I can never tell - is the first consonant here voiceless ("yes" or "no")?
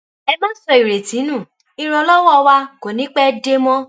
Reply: no